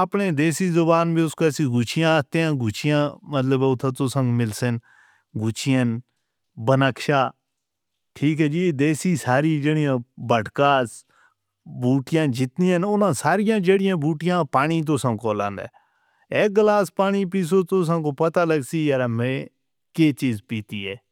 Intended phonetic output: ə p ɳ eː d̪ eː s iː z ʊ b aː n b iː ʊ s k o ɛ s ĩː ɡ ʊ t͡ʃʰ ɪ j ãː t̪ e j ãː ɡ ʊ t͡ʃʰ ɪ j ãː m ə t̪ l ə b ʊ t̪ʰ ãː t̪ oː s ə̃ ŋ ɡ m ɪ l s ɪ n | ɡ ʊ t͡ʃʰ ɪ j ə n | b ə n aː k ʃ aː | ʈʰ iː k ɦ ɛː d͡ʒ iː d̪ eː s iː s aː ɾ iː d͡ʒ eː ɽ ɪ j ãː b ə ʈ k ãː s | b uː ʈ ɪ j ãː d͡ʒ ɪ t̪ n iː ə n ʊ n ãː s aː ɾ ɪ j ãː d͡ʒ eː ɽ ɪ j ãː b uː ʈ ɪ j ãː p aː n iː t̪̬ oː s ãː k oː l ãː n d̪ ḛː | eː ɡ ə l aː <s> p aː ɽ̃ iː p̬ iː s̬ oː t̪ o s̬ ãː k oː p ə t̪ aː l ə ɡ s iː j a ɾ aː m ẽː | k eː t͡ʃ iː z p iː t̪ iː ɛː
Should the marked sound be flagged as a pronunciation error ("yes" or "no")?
no